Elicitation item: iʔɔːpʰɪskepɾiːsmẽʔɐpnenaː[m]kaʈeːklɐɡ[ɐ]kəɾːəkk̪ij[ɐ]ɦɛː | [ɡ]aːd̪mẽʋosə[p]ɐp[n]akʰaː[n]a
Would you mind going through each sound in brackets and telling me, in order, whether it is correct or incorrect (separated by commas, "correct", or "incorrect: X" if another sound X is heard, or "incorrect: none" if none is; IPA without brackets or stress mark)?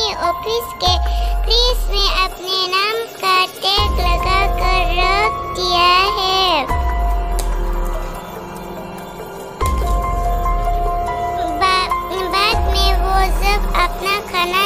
correct, incorrect: a, incorrect: a, incorrect: b, incorrect: b, correct, correct